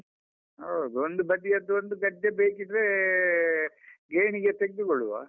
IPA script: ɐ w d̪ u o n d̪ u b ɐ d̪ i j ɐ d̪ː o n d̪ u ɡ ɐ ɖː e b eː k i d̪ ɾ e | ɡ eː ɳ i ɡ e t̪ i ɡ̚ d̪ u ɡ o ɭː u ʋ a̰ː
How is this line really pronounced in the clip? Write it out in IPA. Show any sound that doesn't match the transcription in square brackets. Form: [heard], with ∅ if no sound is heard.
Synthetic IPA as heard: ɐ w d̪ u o n d̪ u b ɐ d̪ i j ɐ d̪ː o n d̪ u ɡ ɐ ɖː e b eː k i d̪ ɾ e | ɡ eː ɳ i ɡ e t̪ [e] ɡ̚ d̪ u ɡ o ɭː u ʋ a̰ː